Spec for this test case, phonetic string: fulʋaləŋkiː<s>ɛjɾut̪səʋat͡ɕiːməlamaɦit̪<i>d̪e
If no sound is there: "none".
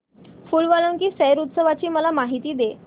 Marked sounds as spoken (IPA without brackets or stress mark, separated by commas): s, iː